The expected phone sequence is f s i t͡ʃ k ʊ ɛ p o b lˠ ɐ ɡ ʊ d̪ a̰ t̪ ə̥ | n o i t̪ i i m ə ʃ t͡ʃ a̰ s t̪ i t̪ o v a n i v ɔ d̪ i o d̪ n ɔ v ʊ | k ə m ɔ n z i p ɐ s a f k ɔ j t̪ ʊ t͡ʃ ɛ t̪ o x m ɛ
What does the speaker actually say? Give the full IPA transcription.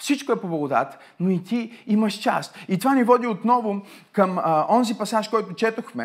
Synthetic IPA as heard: f s i t͡ʃ k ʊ ɛ p o b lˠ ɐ ɡ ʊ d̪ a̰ t̪ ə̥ | n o i t̪ i i m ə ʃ t͡ʃ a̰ s t̪ i t̪ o v a n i v ɔ d̪ i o t̪ n ɔ v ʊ | k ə m ɔ n z i p ɐ s a ʃ k ɔ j t̪ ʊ t͡ʃ ɛ t̪ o x m ɛ